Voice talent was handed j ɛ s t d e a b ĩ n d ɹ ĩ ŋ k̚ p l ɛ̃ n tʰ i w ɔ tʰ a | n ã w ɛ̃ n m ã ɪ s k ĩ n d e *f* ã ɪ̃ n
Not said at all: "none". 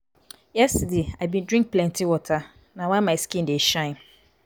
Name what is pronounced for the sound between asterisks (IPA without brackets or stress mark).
ʃ